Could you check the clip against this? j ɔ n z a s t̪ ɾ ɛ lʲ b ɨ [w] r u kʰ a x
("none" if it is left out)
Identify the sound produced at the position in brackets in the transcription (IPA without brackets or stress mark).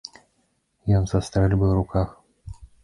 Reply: w